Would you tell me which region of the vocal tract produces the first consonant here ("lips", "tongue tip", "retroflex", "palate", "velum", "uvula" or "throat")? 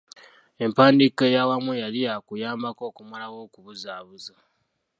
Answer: lips